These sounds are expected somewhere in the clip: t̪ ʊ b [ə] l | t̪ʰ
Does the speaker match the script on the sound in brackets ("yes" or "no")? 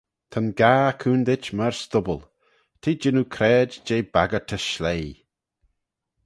yes